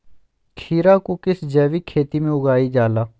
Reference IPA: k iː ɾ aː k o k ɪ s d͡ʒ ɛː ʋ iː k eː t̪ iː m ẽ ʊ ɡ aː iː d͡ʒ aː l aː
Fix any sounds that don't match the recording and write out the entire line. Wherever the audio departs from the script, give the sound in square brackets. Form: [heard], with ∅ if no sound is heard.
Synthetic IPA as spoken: [kʰ] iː ɾ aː k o k ɪ s d͡ʒ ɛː ʋ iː [kʰ] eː t̪ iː m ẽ ʊ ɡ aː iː d͡ʒ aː l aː